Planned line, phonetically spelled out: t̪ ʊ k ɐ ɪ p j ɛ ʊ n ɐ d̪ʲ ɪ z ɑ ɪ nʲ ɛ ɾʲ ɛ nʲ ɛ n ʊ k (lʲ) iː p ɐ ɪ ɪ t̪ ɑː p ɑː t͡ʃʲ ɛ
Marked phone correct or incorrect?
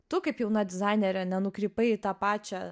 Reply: incorrect